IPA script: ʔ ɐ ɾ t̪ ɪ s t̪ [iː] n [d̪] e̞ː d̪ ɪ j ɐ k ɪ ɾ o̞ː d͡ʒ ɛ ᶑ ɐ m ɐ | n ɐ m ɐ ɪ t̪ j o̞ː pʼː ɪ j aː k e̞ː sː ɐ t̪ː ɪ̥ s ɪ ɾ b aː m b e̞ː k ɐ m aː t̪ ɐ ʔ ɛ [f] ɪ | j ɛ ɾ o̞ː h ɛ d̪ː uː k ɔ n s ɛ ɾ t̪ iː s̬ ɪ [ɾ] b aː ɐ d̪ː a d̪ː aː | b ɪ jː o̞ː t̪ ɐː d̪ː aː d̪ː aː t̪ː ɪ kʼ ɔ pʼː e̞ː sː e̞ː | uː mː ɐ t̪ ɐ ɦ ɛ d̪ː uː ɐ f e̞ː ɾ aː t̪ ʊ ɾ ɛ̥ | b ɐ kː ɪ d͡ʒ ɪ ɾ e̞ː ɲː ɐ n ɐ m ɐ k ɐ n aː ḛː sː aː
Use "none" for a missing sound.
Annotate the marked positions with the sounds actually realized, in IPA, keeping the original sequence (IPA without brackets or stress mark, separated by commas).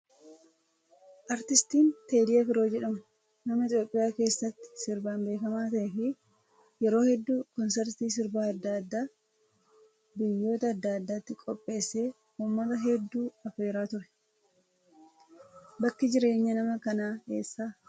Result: iː, t̪, f, ɾ